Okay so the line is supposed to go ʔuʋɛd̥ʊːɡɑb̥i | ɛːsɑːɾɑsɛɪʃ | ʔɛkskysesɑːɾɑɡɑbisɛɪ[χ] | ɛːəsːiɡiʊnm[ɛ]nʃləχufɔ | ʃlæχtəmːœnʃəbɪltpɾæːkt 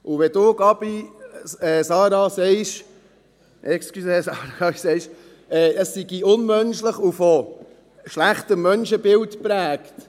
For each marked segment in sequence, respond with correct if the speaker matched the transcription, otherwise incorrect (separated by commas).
incorrect, incorrect